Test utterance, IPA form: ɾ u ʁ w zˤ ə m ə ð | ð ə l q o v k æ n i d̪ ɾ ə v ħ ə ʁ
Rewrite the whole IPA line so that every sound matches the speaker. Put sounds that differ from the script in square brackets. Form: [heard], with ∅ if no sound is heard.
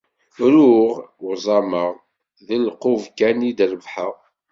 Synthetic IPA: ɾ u ʁ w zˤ [ɑ] m ə [ʁ] | ð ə l q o v k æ n i d̪ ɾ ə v ħ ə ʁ